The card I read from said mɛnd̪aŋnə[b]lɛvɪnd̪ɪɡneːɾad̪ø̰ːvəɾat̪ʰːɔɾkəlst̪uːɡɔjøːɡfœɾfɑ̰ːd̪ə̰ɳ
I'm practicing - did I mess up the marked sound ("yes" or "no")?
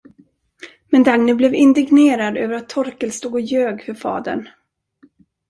no